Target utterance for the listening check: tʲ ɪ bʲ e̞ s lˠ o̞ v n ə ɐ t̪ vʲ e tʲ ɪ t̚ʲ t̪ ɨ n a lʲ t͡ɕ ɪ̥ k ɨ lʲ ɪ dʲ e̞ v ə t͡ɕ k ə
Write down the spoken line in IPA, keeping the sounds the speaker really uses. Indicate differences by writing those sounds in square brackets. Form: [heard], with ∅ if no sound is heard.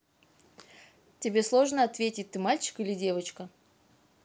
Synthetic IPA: tʲ ɪ bʲ e̞ s lˠ o̞ [ʐ] n ə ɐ t̪ vʲ e tʲ ɪ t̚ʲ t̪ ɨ [m] a lʲ t͡ɕ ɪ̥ k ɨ lʲ ɪ dʲ e̞ v ə t͡ɕ k ə